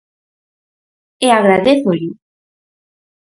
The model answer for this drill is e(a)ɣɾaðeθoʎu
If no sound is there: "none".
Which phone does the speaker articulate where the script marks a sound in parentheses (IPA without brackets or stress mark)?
a